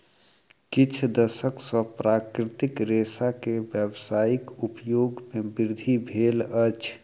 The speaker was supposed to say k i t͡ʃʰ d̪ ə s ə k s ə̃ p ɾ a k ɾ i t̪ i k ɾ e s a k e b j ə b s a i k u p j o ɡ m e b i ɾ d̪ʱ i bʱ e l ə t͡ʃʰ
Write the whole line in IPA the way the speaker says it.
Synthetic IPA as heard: k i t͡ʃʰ d̪ ə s ə k s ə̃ p ɾ a k ɾ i t̪ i k ɾ e s a k e b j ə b s a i k u p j o ɡ m e b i ɾ d̪ʱ i bʱ e l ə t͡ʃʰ